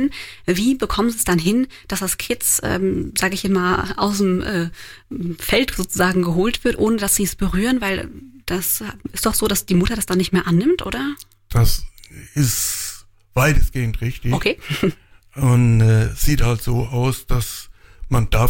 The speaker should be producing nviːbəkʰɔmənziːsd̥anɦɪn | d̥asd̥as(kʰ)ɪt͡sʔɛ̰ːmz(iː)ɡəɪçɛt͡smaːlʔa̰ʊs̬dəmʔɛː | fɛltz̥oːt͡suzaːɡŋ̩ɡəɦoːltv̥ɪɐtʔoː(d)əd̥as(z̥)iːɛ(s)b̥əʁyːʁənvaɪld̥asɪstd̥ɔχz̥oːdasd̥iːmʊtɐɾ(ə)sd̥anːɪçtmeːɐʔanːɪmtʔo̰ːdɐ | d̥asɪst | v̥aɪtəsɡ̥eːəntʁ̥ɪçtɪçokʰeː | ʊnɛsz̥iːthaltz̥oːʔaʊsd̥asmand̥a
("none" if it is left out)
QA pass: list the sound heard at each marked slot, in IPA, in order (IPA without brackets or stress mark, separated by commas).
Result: kʰ, aː, n, z̥, s, a